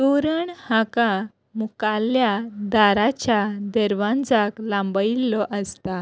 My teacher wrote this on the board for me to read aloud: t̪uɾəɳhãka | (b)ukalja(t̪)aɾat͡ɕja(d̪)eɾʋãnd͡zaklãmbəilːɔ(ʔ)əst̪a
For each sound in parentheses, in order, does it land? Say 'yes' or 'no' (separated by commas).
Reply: no, no, yes, yes